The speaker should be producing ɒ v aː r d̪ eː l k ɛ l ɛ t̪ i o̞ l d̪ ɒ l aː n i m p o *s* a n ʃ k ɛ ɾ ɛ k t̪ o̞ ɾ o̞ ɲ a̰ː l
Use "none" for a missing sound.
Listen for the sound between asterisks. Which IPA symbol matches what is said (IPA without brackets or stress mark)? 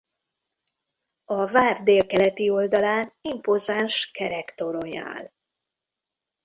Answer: z